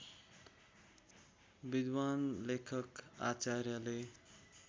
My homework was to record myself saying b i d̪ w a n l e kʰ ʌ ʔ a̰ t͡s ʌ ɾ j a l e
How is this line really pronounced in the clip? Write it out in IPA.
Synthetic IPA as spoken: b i d̪ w a n l e kʰ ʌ k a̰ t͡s a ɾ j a l e